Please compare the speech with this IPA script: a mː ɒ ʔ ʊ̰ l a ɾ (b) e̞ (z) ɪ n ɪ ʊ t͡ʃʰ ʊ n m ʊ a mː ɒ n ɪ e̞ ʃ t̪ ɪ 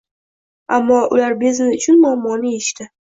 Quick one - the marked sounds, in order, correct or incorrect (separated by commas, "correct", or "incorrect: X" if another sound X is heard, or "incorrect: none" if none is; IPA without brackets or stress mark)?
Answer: correct, correct